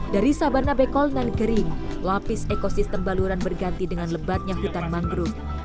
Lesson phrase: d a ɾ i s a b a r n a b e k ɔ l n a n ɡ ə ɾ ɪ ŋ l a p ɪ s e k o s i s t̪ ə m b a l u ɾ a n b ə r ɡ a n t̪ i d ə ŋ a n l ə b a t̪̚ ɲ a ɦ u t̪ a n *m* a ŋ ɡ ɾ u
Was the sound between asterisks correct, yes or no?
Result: yes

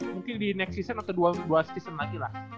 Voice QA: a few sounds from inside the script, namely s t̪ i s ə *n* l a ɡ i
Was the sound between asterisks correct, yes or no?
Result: yes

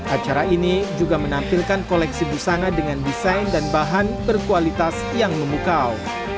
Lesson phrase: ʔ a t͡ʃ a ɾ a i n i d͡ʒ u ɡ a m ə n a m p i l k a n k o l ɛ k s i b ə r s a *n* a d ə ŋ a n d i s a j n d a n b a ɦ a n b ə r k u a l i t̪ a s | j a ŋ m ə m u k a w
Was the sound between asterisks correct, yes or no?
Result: yes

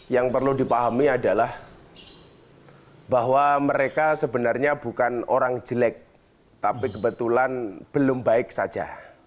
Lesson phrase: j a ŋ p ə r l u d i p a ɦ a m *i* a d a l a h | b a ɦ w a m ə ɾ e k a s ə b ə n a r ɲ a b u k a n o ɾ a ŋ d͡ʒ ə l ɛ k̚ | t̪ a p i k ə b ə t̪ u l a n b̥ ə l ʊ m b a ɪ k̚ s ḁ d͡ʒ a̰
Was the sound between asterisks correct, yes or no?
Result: yes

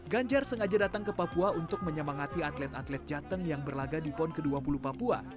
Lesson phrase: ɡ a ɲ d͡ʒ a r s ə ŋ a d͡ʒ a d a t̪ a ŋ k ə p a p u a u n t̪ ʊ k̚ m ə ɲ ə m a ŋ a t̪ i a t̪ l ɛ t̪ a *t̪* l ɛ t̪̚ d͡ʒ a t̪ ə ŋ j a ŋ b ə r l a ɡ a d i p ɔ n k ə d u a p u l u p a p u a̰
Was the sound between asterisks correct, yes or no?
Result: yes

